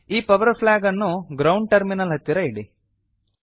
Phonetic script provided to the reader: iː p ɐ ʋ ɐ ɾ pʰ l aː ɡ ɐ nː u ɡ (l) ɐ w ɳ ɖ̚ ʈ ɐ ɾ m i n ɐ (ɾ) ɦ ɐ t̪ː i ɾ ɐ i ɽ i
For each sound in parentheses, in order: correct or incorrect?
incorrect: ɾ, incorrect: l

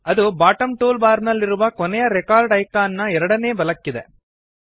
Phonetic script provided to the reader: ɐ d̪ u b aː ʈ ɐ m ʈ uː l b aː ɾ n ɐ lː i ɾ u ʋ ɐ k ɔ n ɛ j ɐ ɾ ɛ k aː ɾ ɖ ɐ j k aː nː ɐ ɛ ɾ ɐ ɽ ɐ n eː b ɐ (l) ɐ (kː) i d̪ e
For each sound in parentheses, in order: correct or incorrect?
correct, correct

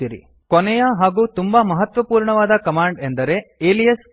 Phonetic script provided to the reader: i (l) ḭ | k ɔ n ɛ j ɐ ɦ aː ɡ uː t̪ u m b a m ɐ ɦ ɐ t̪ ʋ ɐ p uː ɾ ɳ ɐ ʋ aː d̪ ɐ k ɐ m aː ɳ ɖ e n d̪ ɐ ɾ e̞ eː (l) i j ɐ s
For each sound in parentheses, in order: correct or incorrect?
incorrect: ɾ, correct

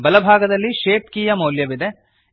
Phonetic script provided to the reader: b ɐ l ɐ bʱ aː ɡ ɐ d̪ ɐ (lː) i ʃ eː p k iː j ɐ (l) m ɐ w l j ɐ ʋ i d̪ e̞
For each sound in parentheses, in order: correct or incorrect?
correct, incorrect: none

